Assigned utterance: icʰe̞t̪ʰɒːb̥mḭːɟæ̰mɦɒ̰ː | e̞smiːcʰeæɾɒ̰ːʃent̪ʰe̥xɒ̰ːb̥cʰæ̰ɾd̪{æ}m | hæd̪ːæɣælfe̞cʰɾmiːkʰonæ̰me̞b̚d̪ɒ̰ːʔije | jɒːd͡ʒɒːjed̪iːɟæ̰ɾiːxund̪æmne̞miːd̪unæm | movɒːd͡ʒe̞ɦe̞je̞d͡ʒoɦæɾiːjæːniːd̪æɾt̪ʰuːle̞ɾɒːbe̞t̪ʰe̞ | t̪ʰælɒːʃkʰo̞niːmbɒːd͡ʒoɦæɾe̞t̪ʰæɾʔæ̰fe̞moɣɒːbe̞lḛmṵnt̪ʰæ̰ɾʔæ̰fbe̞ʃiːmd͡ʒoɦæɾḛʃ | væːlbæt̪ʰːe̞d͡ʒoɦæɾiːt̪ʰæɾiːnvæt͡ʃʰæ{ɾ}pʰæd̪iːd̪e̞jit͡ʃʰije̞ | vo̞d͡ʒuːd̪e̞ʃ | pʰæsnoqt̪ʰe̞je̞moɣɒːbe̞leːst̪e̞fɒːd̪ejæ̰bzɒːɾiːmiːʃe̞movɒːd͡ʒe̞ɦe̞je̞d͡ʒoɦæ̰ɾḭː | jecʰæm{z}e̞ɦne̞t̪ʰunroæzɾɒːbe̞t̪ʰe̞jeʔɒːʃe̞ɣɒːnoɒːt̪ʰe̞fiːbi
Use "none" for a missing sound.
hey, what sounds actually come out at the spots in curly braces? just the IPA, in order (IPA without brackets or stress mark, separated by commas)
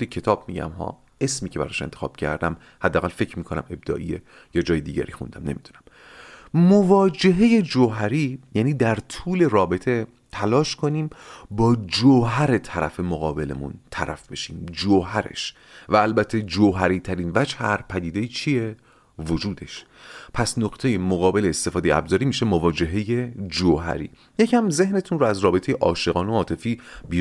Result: æ, ɾ, z